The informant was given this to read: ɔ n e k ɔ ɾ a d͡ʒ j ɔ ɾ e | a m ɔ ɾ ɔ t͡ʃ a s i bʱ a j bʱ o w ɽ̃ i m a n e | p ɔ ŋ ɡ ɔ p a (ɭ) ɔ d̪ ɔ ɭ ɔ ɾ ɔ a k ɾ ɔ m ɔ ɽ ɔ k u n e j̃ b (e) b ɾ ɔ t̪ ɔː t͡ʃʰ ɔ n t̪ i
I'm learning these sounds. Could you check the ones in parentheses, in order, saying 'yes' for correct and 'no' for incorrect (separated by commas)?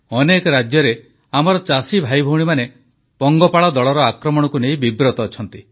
yes, no